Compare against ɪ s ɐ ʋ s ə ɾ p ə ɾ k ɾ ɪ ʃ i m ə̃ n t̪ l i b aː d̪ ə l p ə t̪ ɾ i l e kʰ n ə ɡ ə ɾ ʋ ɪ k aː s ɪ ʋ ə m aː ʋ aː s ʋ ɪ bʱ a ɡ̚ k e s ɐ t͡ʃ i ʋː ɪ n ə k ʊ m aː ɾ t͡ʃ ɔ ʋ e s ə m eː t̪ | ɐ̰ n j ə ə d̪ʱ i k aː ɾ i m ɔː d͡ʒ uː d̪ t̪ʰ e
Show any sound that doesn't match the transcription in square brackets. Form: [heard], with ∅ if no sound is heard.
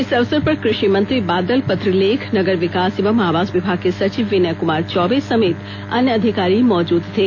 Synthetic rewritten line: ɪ s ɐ ʋ s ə ɾ p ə ɾ k ɾ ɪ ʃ i m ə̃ n t̪ [ɾ] i b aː d̪ ə l p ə t̪ ɾ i l e kʰ n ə ɡ ə ɾ ʋ ɪ k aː s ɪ ʋ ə m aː ʋ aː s ʋ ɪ bʱ a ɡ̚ k e s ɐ t͡ʃ i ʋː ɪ n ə k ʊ m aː ɾ t͡ʃ ɔ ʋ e s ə m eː t̪ | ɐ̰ n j ə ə d̪ʱ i k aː ɾ i m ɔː d͡ʒ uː d̪ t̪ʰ e

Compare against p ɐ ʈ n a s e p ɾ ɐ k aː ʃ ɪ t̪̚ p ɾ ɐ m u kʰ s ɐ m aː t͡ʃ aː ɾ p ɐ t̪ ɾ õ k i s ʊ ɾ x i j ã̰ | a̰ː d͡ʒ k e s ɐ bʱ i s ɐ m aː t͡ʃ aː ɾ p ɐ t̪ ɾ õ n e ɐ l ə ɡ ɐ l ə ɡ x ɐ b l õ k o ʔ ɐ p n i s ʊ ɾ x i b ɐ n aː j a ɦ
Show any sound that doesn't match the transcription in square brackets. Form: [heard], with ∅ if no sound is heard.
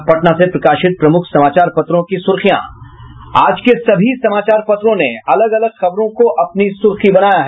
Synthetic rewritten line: p ɐ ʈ n a s e p ɾ ɐ k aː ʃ ɪ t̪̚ p ɾ ɐ m [ʊ] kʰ s ɐ m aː t͡ʃ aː ɾ p ɐ t̪ ɾ õ k i s ʊ ɾ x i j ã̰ | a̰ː d͡ʒ k e s ɐ bʱ i s ɐ m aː t͡ʃ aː ɾ p ɐ t̪ ɾ õ n e ɐ l ə ɡ ɐ l ə ɡ x ɐ b [ɾ] õ k o ʔ ɐ p n i s ʊ ɾ x i b ɐ n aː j a ɦ

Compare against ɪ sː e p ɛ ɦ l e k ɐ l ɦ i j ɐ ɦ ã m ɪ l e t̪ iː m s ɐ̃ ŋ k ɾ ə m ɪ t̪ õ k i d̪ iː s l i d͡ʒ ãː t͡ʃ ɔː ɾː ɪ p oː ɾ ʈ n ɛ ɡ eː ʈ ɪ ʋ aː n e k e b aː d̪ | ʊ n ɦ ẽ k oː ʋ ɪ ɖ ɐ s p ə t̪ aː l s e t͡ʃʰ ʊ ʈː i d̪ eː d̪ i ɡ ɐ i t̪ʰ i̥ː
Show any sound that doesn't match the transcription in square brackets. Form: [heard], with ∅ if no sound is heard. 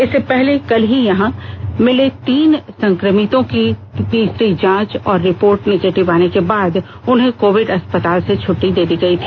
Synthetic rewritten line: ɪ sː e p ɛ ɦ l e k ɐ l ɦ i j ɐ ɦ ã m ɪ l e t̪ iː [n] s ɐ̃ ŋ k ɾ ə m ɪ t̪ õ k i d̪ iː s [ɾ] i d͡ʒ ãː t͡ʃ ɔː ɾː ɪ p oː ɾ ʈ n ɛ ɡ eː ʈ ɪ ʋ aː n e k e b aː d̪ | ʊ n ɦ ẽ k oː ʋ ɪ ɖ ɐ s p ə t̪ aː l s e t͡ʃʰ ʊ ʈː i d̪ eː d̪ i ɡ ɐ i t̪ʰ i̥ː

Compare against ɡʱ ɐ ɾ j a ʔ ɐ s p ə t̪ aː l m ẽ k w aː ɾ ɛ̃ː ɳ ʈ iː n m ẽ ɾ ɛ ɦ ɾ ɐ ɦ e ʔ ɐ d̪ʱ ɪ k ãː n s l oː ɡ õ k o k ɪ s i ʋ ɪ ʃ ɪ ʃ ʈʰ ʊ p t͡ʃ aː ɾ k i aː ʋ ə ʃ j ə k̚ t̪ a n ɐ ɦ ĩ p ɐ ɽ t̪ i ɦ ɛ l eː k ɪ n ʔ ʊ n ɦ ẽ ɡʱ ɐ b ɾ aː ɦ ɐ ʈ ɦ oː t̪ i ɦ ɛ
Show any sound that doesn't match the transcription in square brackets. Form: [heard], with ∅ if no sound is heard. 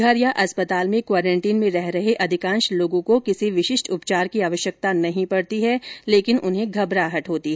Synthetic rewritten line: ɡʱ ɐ ɾ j a ʔ ɐ s p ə t̪ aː l m ẽ k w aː ɾ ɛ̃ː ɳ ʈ iː n m ẽ ɾ ɛ ɦ ɾ ɐ ɦ e ʔ ɐ d̪ʱ ɪ k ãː n [ʃ] l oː ɡ õ k o k ɪ s i ʋ ɪ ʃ ɪ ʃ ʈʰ ʊ p t͡ʃ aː ɾ k i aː ʋ ə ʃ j ə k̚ t̪ a n ɐ ɦ ĩ p ɐ ɽ t̪ i ɦ ɛ l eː k ɪ n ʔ ʊ n ɦ ẽ ɡʱ ɐ b ɾ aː ɦ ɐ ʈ ɦ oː t̪ i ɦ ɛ

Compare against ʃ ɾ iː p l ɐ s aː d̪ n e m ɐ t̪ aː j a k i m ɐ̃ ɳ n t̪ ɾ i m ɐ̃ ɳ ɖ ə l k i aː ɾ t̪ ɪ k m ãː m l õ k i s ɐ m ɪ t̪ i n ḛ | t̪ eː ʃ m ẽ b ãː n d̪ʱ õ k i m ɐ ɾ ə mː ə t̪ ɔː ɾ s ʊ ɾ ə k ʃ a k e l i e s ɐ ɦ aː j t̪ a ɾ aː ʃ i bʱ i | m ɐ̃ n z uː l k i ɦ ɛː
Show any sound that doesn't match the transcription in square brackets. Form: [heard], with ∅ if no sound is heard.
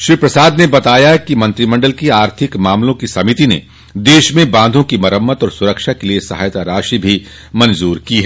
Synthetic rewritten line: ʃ ɾ iː p [ɾ] ɐ s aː d̪ n e [b] ɐ t̪ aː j a k i m ɐ̃ [∅] n t̪ ɾ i m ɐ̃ ɳ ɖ ə l k i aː ɾ [t̪ʰ] ɪ k m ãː m l õ k i s ɐ m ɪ t̪ i n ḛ | [d̪] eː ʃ m ẽ b ãː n d̪ʱ õ k i m ɐ ɾ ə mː ə t̪ ɔː ɾ s ʊ ɾ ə k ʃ a k e l i e s ɐ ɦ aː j t̪ a ɾ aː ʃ i bʱ i | m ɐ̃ n z uː [ɾ] k i ɦ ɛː

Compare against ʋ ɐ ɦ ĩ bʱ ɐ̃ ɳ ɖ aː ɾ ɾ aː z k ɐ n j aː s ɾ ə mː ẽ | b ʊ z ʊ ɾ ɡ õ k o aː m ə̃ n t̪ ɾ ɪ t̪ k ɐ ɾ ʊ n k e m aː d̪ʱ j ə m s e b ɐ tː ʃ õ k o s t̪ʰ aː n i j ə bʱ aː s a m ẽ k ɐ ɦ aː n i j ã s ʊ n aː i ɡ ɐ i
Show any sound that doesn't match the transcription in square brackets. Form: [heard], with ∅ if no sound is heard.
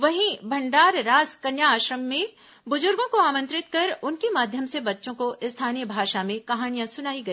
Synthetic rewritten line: ʋ ɐ ɦ ĩ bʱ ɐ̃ ɳ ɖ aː ɾ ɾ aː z k ɐ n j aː [ʃ] ɾ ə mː ẽ | b ʊ z ʊ ɾ ɡ õ k o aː m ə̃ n t̪ ɾ ɪ t̪ k ɐ ɾ ʊ n k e m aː d̪ʱ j ə m s e b ɐ tː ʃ õ k o s t̪ʰ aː n i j ə bʱ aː [ʃ] a m ẽ k ɐ ɦ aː n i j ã s ʊ n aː i ɡ ɐ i

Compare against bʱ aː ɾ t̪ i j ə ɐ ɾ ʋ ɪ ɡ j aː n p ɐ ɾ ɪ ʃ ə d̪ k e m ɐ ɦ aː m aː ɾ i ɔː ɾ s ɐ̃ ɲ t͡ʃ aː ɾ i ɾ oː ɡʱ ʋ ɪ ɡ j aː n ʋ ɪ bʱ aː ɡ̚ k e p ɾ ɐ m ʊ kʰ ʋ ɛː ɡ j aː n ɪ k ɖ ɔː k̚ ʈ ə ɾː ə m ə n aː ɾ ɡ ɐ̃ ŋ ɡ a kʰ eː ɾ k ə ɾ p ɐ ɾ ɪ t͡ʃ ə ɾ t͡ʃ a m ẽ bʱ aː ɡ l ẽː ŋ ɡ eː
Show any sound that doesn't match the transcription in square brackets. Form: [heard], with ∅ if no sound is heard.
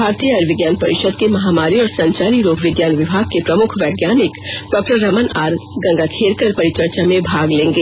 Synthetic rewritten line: bʱ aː ɾ t̪ i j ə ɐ ɾ ʋ ɪ ɡ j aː n p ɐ ɾ ɪ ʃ ə d̪ k e m ɐ ɦ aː m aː ɾ i ɔː ɾ s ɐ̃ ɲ t͡ʃ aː ɾ i ɾ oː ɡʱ ʋ ɪ ɡ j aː n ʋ ɪ bʱ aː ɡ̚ k e p ɾ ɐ m ʊ kʰ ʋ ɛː ɡ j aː n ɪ k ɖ ɔː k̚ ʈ ə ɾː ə m ə n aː ɾ ɡ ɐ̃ ŋ ɡ a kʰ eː ɾ k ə ɾ p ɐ ɾ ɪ t͡ʃ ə ɾ t͡ʃ a m ẽ bʱ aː ɡ l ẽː ŋ ɡ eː

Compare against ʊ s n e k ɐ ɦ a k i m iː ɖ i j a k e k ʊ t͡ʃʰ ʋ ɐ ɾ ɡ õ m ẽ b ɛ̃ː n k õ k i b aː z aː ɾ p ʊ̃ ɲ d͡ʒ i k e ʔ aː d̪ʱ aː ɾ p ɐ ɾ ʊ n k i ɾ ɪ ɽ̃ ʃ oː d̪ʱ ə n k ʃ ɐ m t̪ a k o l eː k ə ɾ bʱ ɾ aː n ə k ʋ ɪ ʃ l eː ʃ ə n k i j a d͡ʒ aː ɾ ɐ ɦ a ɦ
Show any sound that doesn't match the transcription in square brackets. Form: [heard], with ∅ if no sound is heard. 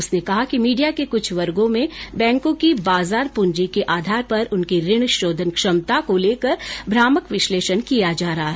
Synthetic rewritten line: ʊ s n e k ɐ ɦ a k i m iː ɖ i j a k e k ʊ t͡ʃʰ ʋ ɐ ɾ ɡ õ m ẽ b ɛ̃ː [ŋ] k õ k i b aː z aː ɾ p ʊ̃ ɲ d͡ʒ i k e ʔ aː d̪ʱ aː ɾ p ɐ ɾ ʊ n k i ɾ ɪ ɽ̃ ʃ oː d̪ʱ ə n k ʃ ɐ m t̪ a k o l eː k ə ɾ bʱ ɾ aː [m] ə k ʋ ɪ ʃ l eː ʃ ə n k i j a d͡ʒ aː ɾ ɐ ɦ a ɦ

